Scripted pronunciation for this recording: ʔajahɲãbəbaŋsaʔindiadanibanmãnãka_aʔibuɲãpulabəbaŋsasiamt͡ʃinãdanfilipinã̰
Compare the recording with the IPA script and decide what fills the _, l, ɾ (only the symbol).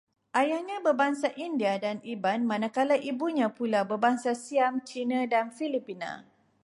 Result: l